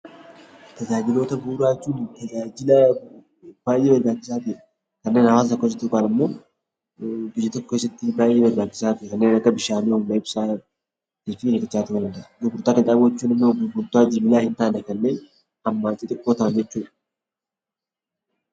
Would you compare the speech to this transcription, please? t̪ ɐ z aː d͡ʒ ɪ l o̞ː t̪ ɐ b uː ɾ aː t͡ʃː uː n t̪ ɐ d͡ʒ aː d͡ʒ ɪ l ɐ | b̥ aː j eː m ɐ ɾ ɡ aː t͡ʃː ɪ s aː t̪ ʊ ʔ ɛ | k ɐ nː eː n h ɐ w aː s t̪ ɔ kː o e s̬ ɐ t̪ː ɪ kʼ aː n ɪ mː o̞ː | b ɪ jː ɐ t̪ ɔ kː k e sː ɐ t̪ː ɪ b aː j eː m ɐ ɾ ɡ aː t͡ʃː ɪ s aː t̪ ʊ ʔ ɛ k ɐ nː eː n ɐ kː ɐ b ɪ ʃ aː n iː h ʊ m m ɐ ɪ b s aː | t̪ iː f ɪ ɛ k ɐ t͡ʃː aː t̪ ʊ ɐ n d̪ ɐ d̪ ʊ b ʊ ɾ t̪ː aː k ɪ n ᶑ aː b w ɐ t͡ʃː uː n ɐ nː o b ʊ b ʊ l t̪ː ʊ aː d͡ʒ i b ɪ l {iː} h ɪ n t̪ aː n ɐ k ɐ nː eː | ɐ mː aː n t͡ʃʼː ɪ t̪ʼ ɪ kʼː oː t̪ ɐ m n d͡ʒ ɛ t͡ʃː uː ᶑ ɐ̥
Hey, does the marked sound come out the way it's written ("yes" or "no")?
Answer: no